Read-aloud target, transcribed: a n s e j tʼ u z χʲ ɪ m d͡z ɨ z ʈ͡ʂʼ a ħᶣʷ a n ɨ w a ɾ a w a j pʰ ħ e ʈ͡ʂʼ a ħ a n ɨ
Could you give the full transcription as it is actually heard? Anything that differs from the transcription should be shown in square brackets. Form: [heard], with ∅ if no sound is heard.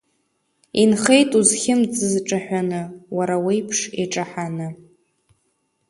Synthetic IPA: [i] n [χ] e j tʼ u z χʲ ɪ m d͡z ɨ z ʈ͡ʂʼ a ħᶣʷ a n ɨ w a ɾ a w [e] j pʰ [ʂ] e ʈ͡ʂʼ a ħ a n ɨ